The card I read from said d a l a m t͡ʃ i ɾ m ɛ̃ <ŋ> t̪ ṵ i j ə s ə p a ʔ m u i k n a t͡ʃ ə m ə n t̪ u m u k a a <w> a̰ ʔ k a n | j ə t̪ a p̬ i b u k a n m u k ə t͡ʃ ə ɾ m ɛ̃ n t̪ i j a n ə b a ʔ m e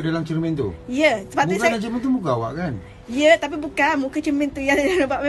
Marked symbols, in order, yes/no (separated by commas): no, yes